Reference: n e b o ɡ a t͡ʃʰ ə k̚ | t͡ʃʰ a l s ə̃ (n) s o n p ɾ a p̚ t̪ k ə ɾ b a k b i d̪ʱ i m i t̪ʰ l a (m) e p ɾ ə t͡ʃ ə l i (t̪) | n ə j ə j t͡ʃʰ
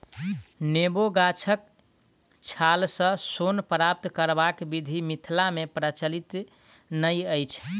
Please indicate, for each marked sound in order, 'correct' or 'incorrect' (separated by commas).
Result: incorrect, correct, correct